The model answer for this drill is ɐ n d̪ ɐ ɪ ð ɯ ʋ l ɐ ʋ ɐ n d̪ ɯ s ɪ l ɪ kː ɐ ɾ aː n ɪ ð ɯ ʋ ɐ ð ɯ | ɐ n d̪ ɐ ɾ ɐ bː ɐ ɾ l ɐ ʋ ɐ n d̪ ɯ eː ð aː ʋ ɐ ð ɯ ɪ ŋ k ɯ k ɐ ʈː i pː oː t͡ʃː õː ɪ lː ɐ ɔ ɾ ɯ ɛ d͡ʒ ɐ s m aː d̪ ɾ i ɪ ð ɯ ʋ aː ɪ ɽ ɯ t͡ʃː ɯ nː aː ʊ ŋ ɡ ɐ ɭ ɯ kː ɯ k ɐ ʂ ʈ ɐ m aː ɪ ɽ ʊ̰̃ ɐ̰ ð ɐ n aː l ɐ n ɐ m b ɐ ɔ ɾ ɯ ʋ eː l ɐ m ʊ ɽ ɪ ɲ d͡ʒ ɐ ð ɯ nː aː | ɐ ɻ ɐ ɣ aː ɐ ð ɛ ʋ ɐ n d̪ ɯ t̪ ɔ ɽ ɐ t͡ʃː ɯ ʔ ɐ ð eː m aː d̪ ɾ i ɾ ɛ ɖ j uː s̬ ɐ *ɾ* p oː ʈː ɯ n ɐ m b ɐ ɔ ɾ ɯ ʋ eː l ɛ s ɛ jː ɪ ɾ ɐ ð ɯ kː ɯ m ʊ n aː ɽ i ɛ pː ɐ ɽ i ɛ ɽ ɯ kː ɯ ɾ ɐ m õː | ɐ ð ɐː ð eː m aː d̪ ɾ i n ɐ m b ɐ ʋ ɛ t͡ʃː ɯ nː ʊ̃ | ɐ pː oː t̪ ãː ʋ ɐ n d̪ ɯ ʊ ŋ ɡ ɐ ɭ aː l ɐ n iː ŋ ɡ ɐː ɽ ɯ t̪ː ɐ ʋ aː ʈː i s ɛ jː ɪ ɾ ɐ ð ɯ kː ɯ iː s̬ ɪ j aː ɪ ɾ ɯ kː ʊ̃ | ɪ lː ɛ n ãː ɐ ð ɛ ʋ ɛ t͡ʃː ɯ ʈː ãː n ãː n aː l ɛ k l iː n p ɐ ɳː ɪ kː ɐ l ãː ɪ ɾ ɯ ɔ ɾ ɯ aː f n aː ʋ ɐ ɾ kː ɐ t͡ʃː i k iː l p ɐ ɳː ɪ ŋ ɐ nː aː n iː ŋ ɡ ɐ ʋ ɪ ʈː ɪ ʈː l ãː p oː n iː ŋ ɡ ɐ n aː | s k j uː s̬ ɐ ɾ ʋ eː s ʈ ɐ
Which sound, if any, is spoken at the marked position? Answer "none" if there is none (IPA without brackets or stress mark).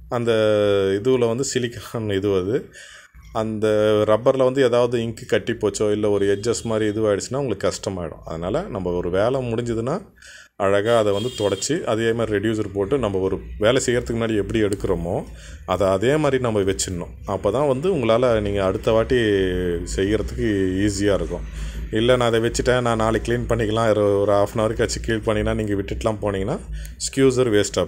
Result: ɾ